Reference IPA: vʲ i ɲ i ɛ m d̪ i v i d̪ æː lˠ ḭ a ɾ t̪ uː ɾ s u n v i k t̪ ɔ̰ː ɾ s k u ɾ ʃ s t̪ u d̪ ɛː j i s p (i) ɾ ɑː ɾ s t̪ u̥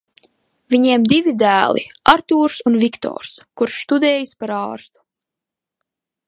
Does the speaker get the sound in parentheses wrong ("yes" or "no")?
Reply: yes